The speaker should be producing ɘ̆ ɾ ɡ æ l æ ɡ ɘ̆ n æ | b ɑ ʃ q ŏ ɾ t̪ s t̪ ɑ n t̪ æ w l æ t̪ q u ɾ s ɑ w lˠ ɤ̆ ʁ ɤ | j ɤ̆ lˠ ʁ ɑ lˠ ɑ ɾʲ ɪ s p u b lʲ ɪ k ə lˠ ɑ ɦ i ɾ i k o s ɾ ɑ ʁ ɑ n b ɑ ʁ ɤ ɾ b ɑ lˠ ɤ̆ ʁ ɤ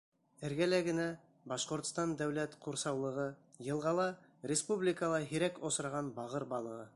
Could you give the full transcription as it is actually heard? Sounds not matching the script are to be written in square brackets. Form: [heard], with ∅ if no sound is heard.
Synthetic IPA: ɘ̆ ɾ ɡ æ l æ ɡ ɘ̆ n æ | b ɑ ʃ q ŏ ɾ t̪ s t̪ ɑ n [d̪] æ w l æ t̪ q u ɾ s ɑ w lˠ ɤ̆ ʁ ɤ | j ɤ̆ lˠ ʁ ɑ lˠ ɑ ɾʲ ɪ s p u b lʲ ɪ k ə lˠ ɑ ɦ i ɾ [æ] k o s ɾ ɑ ʁ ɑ n b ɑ ʁ ɤ ɾ b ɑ lˠ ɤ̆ ʁ ɤ